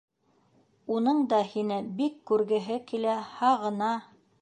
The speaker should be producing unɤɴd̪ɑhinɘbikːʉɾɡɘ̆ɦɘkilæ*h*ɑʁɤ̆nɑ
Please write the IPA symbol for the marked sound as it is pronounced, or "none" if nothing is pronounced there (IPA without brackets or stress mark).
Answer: h